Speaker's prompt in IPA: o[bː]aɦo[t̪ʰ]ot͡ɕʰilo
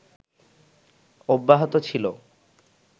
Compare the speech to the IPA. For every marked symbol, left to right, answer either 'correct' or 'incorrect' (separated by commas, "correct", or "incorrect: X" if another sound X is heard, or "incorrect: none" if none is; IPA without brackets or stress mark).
correct, incorrect: t̪